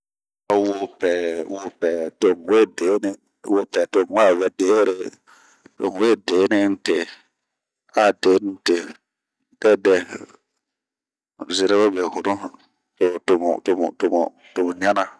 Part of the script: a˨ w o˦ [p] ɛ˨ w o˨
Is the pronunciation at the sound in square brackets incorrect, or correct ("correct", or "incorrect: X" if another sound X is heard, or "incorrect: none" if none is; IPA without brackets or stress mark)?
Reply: correct